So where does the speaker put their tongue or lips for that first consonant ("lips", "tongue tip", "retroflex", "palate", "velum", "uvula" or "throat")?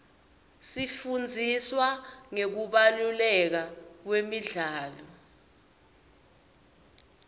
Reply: tongue tip